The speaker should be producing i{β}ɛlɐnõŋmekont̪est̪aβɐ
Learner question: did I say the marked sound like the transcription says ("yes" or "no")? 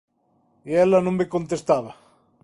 no